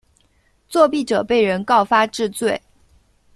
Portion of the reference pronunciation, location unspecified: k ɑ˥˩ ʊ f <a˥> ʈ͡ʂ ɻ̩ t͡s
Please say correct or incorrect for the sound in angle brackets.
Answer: correct